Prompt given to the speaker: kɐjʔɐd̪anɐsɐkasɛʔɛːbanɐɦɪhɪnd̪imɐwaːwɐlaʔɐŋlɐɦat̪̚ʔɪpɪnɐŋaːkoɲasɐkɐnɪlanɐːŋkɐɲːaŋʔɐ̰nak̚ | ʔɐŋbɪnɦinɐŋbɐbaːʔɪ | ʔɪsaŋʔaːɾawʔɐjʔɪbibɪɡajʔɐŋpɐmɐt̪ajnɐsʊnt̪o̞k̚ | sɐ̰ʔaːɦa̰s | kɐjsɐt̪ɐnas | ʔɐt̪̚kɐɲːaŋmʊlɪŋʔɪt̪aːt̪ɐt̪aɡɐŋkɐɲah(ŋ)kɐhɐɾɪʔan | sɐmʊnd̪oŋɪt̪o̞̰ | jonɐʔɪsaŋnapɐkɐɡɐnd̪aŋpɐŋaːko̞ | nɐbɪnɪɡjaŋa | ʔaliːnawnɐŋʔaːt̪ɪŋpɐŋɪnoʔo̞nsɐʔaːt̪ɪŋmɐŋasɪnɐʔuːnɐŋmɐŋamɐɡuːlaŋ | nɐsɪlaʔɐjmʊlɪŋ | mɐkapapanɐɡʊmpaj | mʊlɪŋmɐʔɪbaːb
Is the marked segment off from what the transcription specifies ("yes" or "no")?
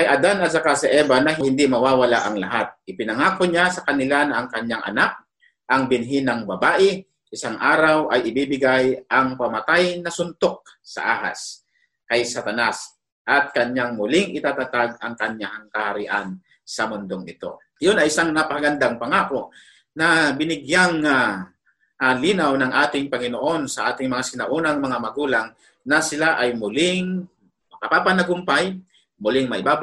no